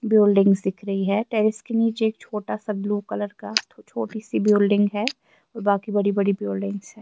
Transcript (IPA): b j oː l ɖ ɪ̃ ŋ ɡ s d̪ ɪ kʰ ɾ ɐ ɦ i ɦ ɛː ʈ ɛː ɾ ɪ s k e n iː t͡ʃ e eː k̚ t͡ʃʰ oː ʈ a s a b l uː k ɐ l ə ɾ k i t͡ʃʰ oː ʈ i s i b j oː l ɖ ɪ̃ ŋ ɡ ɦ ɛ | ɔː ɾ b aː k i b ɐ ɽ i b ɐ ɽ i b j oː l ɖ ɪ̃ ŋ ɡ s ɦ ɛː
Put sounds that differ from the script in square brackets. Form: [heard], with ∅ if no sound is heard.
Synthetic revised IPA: b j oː l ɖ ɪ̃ ŋ ɡ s d̪ ɪ kʰ ɾ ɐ ɦ i ɦ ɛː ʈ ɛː ɾ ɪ s k e n iː t͡ʃ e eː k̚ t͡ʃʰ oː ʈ a s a b l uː k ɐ l ə ɾ k [a] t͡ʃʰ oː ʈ i s i b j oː l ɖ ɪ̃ ŋ ɡ ɦ ɛ | ɔː ɾ b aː k i b ɐ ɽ i b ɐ ɽ i b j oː l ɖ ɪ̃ ŋ ɡ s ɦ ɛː